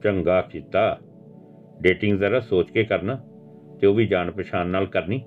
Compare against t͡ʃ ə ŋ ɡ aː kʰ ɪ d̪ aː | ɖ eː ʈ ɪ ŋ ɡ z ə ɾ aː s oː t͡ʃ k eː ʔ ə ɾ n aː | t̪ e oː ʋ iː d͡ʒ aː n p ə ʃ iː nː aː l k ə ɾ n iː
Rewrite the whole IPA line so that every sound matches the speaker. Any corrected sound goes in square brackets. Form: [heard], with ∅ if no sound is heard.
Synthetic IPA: t͡ʃ ə ŋ ɡ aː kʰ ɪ [t̪] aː | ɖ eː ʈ ɪ ŋ ɡ z ə ɾ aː s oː t͡ʃ k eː [k] ə ɾ n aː | t̪ e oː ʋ iː d͡ʒ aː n p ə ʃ [aː] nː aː l k ə ɾ n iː